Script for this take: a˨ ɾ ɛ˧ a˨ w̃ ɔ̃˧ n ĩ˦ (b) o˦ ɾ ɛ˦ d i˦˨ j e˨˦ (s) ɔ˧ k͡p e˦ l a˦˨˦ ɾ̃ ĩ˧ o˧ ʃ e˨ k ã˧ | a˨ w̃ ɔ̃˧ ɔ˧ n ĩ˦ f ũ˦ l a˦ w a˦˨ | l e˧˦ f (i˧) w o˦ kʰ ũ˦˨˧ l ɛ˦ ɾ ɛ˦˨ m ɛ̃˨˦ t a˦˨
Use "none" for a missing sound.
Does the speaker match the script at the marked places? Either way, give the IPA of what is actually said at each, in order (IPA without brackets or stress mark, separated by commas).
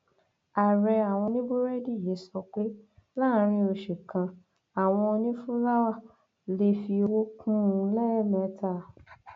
b, s, i˧